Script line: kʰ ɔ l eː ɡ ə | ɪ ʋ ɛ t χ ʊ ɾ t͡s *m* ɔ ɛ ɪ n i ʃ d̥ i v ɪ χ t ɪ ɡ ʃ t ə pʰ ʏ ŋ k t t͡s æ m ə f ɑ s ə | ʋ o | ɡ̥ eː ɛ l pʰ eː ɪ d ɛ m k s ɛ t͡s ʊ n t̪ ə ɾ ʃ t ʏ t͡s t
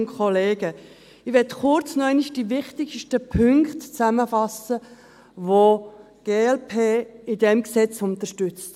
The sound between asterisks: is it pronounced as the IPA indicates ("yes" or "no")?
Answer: no